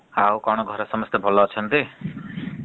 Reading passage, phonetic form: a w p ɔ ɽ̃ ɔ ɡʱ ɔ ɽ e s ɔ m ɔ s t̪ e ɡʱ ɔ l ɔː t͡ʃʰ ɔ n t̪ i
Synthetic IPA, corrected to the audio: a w k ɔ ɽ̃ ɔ ɡʱ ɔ ɾ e s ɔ m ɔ s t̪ e bʱ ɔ l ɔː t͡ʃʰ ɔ n t̪ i